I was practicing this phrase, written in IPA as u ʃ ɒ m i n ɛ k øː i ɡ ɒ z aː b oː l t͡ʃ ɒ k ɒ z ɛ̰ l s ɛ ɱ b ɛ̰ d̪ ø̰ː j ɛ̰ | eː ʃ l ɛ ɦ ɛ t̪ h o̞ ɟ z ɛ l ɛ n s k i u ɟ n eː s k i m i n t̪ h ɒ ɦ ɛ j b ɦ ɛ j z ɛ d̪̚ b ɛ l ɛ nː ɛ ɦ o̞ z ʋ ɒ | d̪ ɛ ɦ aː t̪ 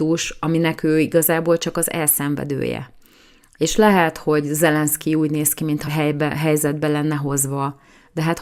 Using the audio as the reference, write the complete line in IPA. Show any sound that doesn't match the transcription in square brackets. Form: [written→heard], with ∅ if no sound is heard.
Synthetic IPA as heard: u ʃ ɒ m i n ɛ k øː i ɡ ɒ z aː b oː l t͡ʃ ɒ k ɒ z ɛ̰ l s ɛ ɱ [b→v] ɛ̰ d̪ ø̰ː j ɛ̰ | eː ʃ l ɛ ɦ ɛ t̪ h o̞ ɟ z ɛ l ɛ n s k i [u→uː] ɟ n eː s k i m i n t̪ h ɒ ɦ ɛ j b ɦ ɛ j z ɛ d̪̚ b ɛ l ɛ nː ɛ ɦ o̞ z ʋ ɒ | d̪ ɛ ɦ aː t̪